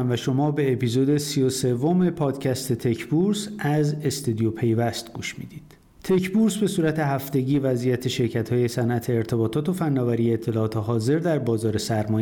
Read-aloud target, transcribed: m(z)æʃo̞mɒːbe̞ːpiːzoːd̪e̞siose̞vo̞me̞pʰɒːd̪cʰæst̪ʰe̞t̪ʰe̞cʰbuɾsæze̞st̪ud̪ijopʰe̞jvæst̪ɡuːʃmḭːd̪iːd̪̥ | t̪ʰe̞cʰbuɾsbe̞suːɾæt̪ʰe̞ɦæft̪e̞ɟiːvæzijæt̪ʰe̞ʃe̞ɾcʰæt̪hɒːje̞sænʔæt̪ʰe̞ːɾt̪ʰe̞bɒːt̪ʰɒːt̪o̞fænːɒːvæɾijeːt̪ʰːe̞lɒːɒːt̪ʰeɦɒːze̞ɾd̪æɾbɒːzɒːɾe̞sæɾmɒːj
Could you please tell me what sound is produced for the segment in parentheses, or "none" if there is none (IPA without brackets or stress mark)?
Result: v